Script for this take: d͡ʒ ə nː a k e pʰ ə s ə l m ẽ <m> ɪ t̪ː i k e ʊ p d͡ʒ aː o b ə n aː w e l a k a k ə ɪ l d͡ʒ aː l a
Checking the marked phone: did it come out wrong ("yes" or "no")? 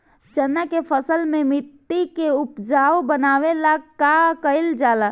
no